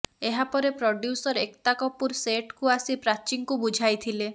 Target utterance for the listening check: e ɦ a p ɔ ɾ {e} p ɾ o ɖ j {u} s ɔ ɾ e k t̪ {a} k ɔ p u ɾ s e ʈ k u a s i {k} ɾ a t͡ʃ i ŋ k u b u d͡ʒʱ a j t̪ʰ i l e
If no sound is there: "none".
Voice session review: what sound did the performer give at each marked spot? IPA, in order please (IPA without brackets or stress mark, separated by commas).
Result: e, u, a, p